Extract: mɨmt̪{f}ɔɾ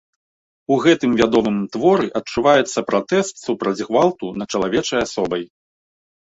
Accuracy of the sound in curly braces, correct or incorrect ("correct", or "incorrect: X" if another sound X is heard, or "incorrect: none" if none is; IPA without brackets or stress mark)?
incorrect: v